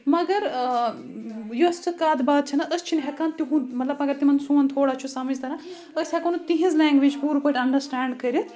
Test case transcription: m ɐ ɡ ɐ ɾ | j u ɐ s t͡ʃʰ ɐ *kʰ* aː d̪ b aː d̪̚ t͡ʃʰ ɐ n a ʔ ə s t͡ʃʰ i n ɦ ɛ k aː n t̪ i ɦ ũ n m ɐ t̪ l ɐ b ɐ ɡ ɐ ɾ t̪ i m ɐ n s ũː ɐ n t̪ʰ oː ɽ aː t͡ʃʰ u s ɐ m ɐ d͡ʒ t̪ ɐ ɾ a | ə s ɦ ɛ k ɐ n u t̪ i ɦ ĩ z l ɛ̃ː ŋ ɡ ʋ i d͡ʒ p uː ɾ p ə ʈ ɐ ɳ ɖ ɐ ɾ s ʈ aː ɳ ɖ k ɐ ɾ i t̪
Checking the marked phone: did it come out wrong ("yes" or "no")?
yes